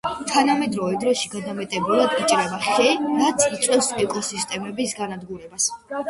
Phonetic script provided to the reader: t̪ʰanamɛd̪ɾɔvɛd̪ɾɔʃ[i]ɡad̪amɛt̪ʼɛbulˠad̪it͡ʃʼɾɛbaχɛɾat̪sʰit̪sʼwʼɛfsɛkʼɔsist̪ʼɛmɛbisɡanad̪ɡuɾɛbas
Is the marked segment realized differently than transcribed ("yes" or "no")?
no